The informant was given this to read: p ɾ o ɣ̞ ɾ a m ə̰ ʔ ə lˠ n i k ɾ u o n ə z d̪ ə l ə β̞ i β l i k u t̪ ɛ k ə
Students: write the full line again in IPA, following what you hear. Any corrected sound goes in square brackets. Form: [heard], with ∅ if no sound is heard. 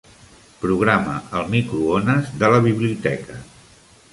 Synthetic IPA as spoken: p ɾ [u] ɣ̞ ɾ a m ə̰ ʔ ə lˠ [m] i k ɾ u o n ə z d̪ ə l ə β̞ i β l i [∅] u t̪ ɛ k ə